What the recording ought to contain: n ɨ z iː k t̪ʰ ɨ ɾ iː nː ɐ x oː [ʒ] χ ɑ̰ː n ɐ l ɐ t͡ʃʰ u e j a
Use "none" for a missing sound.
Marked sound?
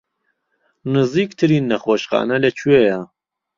ʃ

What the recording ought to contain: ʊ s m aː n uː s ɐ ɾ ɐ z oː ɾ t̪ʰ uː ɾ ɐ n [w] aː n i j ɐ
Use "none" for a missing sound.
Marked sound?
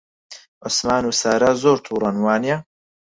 w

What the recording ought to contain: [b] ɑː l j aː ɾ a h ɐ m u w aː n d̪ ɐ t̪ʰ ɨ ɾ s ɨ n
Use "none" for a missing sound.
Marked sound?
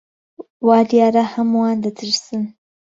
w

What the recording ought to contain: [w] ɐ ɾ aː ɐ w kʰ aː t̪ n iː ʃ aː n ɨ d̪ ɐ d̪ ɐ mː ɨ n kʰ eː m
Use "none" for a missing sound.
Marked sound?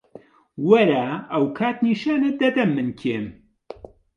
w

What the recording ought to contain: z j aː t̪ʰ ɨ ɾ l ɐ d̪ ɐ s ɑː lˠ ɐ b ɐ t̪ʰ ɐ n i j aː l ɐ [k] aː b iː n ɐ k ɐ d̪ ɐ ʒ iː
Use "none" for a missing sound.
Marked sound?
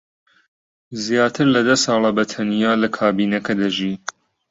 kʰ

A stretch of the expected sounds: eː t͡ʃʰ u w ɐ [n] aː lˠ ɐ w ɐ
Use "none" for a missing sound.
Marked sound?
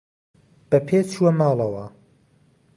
m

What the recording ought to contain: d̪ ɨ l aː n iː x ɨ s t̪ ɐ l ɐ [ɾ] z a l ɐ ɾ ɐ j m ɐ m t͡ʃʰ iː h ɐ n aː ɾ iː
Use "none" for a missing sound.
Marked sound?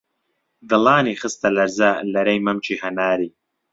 ɾ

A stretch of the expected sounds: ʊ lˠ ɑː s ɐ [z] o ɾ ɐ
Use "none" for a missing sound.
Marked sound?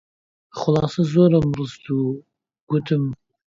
z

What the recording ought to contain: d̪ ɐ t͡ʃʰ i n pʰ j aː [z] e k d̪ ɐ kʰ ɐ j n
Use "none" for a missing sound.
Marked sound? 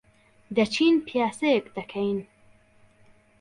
s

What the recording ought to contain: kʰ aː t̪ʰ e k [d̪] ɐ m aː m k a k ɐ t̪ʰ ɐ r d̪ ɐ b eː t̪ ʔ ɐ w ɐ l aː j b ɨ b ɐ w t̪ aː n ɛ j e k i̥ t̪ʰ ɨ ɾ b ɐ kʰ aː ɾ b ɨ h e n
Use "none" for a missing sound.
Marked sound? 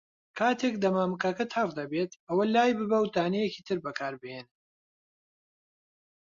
d̪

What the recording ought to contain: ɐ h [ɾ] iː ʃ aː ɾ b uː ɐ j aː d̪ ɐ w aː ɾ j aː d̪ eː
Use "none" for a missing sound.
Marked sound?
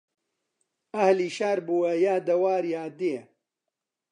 l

